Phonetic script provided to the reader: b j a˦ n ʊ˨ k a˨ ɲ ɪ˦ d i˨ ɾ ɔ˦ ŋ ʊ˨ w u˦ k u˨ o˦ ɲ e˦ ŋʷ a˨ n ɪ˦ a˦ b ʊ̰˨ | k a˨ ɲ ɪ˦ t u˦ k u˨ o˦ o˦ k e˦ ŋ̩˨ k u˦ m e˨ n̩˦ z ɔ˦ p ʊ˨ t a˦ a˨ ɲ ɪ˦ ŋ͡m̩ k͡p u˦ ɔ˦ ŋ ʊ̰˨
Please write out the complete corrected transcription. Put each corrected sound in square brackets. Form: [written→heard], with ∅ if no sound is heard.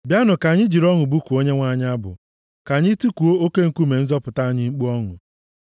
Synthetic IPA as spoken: b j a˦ n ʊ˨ k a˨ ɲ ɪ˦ [d→d͡ʒ] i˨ ɾ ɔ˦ ŋ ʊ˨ [w→b] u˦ k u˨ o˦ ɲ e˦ ŋʷ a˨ [n→ɲ] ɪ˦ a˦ b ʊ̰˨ | k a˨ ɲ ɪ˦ t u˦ k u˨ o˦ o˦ k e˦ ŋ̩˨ k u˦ m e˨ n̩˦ z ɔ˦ p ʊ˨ t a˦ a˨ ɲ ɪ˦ ŋ͡m̩ k͡p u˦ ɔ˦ ŋ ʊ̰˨